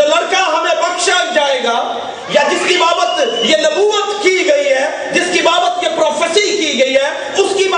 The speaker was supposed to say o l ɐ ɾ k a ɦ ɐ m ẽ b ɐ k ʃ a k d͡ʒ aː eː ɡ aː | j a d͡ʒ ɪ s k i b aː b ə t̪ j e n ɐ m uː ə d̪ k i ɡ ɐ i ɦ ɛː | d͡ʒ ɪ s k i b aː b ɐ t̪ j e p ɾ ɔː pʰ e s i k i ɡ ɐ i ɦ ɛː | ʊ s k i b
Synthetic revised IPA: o l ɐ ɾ k a ɦ ɐ m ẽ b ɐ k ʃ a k d͡ʒ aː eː ɡ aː | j a d͡ʒ ɪ s k i b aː b ə t̪ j e n ɐ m uː ə t̪ k i ɡ ɐ i ɦ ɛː | d͡ʒ ɪ s k i b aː b ə t̪ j e p ɾ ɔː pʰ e s i k i ɡ ɐ i ɦ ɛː | ʊ s k i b